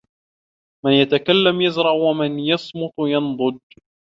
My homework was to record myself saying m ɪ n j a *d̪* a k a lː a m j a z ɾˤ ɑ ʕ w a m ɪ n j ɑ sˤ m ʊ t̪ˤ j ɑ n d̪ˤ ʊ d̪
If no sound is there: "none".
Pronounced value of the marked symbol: t̪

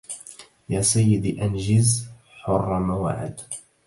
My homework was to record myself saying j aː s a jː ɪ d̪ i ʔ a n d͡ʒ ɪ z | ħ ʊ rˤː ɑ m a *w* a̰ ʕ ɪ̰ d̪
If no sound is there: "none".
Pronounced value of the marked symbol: w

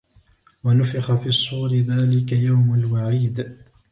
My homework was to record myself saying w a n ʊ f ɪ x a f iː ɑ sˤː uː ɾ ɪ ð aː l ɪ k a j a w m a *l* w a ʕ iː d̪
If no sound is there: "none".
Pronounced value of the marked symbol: l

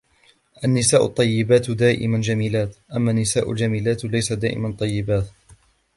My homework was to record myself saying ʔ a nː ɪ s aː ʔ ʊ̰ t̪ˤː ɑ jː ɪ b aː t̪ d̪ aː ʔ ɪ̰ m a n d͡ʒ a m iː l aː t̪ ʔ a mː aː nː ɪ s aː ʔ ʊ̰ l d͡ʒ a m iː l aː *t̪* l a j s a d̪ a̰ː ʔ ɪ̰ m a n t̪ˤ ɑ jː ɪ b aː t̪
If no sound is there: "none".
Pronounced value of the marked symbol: t̪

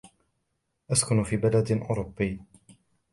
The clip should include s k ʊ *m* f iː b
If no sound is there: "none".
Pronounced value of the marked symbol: n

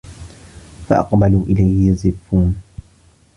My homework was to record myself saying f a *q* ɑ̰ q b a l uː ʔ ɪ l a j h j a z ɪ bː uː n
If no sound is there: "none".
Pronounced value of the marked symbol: ʔ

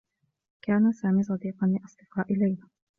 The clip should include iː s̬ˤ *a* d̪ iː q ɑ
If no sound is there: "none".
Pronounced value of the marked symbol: ɑ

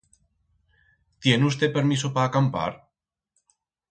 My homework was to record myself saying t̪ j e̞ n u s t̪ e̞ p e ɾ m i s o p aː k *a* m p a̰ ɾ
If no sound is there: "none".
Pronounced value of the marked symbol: a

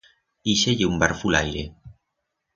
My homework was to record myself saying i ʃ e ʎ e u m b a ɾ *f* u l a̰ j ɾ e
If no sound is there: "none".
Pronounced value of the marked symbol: f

